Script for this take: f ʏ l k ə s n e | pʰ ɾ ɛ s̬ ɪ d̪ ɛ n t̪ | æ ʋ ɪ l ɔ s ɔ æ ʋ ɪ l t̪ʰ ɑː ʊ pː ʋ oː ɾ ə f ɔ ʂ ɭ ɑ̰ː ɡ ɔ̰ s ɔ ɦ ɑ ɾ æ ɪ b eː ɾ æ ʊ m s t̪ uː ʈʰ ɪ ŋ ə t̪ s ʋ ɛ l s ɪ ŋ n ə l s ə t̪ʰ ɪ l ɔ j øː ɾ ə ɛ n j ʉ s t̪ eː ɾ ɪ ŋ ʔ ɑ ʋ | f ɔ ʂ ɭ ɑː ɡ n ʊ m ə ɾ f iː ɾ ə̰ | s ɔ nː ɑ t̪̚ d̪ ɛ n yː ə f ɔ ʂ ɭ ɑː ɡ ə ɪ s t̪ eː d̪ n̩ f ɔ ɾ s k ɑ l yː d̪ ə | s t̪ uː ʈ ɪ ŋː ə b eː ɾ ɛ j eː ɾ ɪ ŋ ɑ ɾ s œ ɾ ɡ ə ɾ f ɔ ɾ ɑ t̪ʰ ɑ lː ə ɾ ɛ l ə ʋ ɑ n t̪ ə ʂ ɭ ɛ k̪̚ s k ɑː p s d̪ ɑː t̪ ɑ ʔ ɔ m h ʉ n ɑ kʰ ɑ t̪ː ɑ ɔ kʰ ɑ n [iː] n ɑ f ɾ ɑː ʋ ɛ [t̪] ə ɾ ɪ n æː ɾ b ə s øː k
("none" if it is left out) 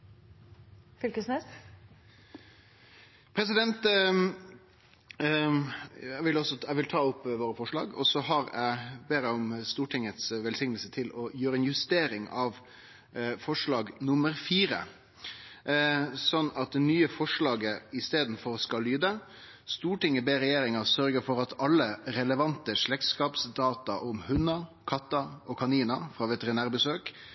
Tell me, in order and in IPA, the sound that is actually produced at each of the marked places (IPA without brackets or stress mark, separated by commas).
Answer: iː, t̪